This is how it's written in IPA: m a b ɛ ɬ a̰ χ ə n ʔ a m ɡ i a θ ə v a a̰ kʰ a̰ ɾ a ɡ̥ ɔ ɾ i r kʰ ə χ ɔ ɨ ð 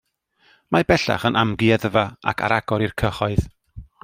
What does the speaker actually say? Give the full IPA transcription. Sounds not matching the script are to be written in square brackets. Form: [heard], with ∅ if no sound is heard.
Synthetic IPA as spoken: m a b ɛ ɬ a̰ χ ə n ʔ a m ɡ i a [ð] ə v a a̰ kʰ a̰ ɾ a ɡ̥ ɔ ɾ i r kʰ ə χ ɔ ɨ ð